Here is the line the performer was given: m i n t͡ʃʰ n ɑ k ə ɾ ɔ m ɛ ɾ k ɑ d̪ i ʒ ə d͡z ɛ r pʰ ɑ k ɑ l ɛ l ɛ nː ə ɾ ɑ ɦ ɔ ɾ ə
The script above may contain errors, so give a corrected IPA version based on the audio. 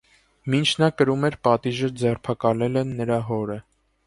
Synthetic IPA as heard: m i n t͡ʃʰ n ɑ k ə ɾ u m ɛ ɾ p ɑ t̪ i ʒ ə d͡z ɛ r pʰ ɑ k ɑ l ɛ l ɛ nː ə ɾ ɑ ɦ ɔ ɾ ə